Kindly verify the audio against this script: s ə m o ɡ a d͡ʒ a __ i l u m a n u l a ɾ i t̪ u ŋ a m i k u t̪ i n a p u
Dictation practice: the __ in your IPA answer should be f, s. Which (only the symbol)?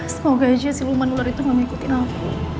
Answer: s